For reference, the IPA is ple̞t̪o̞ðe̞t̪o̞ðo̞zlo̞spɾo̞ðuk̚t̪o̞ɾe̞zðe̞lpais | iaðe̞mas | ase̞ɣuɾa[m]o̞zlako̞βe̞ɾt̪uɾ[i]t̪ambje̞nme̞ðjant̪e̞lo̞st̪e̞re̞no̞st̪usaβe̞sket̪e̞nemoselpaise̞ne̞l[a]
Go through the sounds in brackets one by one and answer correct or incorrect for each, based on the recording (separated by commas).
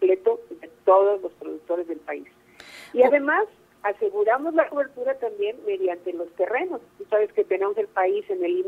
correct, incorrect, incorrect